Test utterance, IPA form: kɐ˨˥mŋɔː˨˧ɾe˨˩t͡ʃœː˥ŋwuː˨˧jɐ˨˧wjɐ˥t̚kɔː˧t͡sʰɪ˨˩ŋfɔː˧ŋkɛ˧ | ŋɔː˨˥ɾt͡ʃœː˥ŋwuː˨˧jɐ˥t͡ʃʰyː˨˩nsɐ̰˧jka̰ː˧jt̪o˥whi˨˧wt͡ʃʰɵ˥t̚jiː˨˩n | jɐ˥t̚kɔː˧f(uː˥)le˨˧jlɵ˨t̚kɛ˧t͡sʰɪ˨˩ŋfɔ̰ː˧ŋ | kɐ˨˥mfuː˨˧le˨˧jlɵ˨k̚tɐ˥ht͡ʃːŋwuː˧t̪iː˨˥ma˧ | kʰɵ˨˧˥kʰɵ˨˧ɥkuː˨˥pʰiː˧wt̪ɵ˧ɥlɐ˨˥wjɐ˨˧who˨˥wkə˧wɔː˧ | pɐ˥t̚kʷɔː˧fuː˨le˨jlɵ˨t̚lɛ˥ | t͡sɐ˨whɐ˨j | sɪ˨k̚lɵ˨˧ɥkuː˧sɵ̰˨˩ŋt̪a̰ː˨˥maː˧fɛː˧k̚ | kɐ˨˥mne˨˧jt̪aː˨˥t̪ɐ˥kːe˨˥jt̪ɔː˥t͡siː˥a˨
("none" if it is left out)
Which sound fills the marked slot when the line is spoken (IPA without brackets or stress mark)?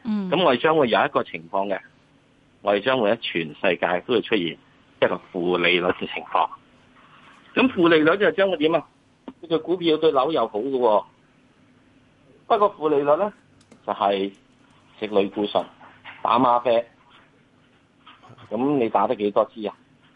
uː˨˩